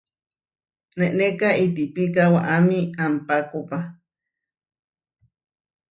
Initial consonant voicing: voiced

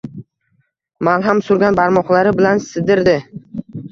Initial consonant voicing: voiced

